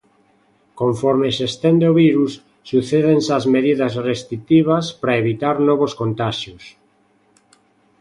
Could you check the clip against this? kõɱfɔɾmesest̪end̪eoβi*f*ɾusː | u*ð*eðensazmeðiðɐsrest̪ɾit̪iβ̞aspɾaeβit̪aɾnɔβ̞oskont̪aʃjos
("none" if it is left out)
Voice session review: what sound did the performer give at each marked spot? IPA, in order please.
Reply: none, θ

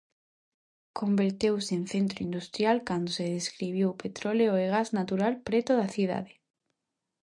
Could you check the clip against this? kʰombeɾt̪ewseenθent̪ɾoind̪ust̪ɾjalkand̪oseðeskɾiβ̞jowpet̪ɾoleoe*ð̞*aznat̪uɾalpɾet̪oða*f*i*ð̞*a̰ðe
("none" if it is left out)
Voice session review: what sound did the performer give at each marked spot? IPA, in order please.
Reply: ɣ̞, θ, ð̞

